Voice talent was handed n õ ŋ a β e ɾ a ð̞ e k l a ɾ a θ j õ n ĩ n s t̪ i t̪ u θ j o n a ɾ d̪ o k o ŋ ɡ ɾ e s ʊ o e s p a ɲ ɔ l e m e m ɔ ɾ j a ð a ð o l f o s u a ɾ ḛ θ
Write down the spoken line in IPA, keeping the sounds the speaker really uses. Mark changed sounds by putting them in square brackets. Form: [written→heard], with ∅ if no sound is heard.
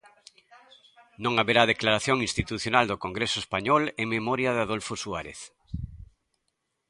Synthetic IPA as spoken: n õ ŋ a β e ɾ a ð̞ e k l a ɾ a θ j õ [n→ŋ] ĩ n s t̪ i t̪ u θ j o n a [ɾ→l] d̪ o k o ŋ ɡ ɾ e s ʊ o e s p a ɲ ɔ l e m e m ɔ ɾ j a ð a ð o l f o s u a ɾ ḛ θ